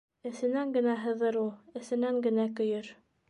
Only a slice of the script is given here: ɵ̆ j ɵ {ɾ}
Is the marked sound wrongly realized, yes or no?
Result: no